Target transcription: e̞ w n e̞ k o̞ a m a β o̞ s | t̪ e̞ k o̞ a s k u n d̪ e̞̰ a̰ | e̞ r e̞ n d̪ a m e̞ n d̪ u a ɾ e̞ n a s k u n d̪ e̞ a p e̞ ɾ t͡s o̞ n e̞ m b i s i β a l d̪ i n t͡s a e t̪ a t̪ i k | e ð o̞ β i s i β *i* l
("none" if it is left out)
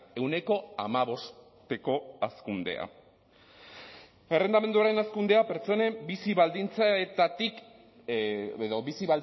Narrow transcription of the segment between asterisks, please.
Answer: a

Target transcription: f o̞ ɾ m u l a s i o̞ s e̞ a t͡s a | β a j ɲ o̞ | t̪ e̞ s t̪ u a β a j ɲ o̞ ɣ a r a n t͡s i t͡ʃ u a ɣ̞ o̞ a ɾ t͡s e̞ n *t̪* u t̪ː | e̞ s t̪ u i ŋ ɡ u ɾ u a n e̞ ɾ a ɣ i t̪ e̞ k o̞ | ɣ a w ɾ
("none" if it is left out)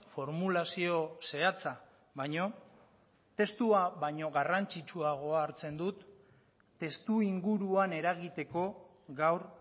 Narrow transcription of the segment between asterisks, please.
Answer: d̪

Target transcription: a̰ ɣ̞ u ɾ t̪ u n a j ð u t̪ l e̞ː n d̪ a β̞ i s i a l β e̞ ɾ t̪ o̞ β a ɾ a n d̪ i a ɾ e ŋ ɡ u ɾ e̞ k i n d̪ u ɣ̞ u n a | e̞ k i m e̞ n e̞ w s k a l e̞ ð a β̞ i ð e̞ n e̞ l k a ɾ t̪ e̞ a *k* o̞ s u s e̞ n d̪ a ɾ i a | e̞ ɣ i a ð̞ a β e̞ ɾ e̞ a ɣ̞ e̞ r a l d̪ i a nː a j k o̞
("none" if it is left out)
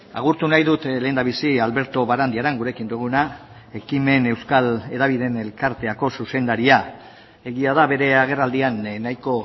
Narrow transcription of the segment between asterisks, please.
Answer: k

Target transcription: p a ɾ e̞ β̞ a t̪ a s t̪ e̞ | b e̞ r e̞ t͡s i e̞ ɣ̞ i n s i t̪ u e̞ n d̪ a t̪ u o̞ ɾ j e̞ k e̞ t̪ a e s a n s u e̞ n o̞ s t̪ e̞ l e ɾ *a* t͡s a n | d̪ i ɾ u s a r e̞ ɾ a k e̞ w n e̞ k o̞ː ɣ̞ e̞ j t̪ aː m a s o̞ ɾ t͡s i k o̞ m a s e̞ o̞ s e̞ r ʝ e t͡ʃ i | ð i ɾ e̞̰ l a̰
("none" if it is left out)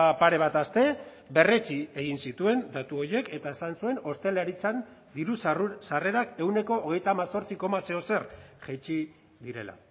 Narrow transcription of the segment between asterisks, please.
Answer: i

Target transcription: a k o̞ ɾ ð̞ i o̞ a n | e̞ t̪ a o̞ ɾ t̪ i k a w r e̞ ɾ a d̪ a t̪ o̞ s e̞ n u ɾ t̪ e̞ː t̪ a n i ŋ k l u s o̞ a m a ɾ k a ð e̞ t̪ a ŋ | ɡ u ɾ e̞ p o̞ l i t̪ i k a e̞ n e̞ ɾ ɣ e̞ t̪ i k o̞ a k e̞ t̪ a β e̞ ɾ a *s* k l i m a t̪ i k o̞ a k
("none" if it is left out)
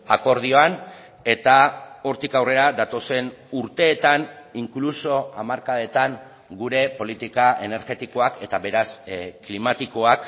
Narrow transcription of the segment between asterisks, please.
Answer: s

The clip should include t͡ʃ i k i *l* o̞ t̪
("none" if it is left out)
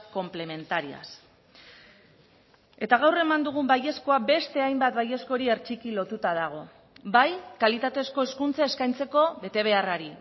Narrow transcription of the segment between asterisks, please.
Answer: l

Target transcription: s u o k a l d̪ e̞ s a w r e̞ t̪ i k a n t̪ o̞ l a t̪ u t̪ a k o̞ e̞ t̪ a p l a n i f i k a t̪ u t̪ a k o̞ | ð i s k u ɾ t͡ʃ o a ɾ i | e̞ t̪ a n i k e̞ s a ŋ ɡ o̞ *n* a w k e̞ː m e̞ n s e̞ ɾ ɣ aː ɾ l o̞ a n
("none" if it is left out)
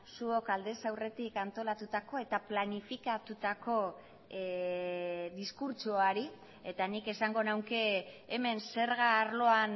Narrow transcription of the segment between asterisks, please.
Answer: n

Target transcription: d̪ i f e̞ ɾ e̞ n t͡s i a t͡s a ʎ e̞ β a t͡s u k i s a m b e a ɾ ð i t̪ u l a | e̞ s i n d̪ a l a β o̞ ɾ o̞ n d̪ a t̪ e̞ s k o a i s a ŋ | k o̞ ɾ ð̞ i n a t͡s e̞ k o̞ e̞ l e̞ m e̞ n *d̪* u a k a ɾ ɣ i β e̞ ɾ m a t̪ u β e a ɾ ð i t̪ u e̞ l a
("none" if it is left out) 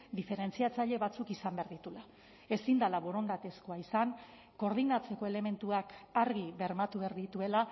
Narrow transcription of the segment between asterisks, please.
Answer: t̪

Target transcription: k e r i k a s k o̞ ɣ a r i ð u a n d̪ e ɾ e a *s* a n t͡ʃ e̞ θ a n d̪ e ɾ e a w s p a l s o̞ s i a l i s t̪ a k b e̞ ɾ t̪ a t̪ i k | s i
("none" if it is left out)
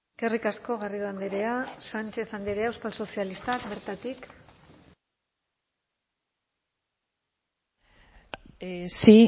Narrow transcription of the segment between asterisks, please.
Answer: s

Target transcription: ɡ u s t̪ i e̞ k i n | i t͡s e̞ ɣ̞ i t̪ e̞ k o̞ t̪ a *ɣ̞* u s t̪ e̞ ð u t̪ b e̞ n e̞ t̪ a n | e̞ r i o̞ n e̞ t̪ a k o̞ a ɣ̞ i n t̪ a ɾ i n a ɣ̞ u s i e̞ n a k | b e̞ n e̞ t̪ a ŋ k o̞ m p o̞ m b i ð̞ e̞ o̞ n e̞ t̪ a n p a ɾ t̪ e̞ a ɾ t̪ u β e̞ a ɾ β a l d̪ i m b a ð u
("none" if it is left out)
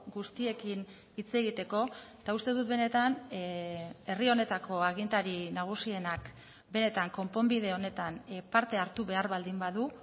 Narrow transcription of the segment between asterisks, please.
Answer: none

